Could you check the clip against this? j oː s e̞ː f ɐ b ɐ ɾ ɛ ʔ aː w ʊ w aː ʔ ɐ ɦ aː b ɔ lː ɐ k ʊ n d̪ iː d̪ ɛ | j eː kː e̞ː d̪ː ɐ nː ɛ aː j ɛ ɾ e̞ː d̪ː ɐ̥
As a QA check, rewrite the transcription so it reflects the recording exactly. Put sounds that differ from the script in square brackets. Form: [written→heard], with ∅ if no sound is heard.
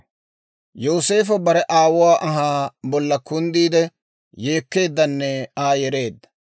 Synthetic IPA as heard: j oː s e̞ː f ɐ b ɐ ɾ ɛ ʔ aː w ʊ w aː ʔ ɐ ɦ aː b ɔ lː ɐ k ʊ n d̪ iː d̪ ɛ | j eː kː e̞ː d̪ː ɐ nː ɛ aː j ɛ ɾ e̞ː d̪ː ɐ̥